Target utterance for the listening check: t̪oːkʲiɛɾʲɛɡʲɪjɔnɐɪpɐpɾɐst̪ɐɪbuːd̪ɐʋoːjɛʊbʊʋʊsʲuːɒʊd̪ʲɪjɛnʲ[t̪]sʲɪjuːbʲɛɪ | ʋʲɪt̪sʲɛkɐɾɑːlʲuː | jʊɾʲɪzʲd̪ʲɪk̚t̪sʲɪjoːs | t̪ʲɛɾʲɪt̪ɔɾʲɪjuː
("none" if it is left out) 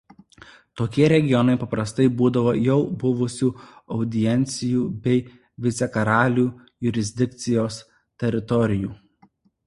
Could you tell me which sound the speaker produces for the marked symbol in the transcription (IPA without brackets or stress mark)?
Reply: t̪